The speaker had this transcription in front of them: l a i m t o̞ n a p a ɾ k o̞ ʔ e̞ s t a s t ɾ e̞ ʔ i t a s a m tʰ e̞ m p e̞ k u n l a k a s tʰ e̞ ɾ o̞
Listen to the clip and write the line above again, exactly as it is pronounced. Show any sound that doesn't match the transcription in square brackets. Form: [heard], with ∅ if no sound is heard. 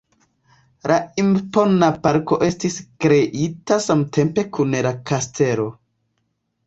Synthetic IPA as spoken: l a i m [p] o̞ n a p a ɾ k o̞ ʔ e̞ s t [i] s [k] ɾ e̞ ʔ i t a s a m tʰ e̞ m p e̞ k u n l a k a s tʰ e̞ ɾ o̞